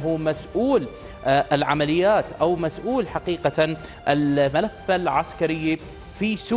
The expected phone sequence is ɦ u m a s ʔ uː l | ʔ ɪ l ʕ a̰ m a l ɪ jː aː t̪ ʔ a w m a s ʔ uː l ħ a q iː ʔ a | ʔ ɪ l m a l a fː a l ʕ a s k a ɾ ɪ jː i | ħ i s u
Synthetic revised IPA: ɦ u m a s ʔ uː l | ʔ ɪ l ʕ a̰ m a l ɪ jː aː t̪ ʔ a w m a s ʔ uː l ħ a q iː q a | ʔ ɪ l m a l a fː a l ʕ a s k a ɾ ɪ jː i | f i s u